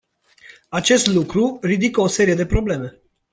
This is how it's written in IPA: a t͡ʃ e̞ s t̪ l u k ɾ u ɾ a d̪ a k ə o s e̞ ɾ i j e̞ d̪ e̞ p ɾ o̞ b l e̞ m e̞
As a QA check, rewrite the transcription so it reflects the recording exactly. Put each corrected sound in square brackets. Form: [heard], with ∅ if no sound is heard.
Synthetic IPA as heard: a t͡ʃ e̞ s t̪ l u k ɾ u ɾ [i] d̪ [i] k ə o s e̞ ɾ i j e̞ d̪ e̞ p ɾ o̞ b l e̞ m e̞